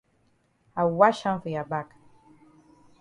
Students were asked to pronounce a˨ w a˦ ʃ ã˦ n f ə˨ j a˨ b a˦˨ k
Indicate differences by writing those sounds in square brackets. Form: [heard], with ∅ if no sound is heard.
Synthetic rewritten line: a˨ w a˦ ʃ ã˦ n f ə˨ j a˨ b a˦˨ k